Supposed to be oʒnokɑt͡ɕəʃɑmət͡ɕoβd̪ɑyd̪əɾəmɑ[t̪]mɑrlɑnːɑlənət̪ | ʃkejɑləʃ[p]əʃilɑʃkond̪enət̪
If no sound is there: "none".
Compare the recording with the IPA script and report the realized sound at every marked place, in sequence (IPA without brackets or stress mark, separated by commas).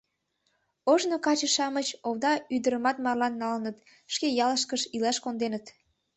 t̪, k